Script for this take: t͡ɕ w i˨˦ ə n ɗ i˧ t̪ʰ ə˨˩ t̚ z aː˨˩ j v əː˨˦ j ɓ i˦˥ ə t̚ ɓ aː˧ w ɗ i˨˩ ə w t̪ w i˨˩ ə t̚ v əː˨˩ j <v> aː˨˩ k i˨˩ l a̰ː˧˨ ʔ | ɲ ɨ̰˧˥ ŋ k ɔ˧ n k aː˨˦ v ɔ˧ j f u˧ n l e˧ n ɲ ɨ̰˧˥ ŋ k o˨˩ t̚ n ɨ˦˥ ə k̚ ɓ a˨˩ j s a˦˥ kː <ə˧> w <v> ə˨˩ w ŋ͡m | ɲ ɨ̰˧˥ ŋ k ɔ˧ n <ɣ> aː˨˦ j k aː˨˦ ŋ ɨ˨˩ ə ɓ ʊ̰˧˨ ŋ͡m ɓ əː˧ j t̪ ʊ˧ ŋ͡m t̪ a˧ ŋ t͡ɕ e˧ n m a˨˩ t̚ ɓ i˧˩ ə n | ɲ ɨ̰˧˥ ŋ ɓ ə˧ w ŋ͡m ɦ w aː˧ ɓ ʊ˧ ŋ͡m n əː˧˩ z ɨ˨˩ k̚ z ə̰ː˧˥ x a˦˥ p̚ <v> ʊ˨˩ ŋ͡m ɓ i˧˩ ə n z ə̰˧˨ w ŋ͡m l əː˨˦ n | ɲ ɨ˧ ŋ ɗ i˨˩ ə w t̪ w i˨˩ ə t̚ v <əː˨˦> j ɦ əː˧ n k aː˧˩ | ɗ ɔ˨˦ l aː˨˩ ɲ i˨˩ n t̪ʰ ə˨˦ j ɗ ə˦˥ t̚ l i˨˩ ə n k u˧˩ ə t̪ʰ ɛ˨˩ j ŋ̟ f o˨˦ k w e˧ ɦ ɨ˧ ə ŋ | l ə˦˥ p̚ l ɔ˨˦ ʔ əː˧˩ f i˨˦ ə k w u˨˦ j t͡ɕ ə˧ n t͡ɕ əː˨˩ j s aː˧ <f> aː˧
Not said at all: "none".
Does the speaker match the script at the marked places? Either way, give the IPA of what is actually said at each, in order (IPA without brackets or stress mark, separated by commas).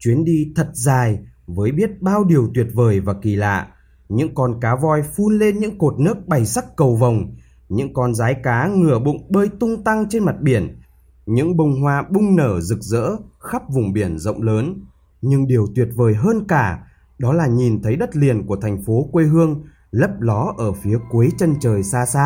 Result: v, ə˨˩, v, z, v, əː˨˩, s